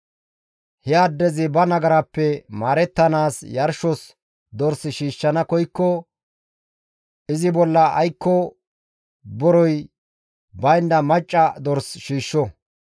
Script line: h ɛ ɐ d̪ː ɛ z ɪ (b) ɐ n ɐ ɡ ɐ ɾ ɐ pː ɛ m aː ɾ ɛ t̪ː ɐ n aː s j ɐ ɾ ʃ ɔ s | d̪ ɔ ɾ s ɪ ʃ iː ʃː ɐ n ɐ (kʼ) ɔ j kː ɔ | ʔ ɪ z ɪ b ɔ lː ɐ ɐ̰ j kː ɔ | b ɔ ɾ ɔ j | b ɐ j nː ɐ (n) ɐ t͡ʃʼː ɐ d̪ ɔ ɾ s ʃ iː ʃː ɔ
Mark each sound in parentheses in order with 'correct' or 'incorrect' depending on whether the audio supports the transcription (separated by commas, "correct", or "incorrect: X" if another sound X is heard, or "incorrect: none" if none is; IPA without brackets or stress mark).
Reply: correct, incorrect: k, incorrect: m